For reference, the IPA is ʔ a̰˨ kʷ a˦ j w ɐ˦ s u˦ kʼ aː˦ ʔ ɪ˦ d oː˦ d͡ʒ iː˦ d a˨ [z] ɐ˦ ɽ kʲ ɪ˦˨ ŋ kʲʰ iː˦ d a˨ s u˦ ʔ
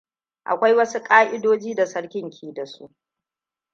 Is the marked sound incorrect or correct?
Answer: incorrect